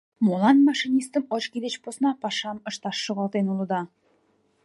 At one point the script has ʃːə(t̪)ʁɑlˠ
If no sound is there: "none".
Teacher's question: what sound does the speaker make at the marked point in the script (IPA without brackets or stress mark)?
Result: none